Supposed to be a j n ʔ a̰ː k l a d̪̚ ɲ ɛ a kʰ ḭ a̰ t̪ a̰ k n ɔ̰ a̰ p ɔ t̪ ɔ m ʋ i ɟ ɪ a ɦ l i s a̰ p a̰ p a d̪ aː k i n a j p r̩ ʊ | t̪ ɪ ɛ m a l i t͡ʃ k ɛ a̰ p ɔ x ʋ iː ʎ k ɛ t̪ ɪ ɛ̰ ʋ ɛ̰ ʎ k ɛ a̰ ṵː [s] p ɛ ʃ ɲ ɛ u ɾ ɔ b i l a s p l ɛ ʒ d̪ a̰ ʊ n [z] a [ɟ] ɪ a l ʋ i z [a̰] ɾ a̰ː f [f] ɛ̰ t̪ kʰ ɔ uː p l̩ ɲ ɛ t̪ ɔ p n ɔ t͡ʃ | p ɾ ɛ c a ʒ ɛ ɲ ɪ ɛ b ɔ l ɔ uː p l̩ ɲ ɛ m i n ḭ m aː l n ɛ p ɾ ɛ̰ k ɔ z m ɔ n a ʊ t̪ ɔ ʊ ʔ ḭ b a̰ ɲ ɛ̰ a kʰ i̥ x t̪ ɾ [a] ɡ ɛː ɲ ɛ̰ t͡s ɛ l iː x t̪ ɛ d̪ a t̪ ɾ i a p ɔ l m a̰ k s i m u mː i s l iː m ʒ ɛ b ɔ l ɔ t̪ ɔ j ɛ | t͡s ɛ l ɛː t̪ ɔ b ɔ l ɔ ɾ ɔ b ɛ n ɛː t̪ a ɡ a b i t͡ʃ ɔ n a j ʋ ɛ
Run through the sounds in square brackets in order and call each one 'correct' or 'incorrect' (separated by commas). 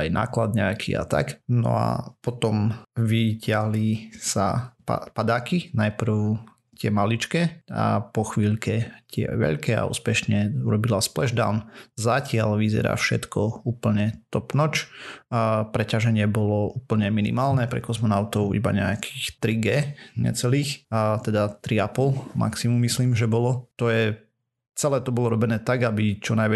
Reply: correct, correct, incorrect, incorrect, incorrect, incorrect